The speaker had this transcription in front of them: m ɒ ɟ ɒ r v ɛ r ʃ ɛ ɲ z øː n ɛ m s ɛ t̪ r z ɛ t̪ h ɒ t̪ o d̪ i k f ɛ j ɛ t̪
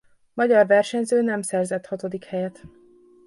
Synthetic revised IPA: m ɒ ɟ ɒ r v ɛ r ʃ ɛ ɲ z øː n ɛ m s ɛ r z ɛ t̪ h ɒ t̪ o d̪ i k h ɛ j ɛ t̪